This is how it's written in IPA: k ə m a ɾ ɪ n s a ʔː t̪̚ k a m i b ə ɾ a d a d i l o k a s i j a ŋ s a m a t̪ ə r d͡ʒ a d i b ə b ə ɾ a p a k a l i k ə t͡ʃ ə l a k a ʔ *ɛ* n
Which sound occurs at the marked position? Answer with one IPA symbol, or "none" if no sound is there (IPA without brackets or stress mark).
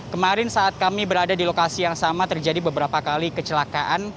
a